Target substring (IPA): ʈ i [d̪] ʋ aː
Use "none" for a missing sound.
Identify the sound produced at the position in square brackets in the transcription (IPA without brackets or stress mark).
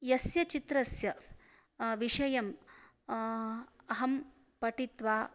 t̪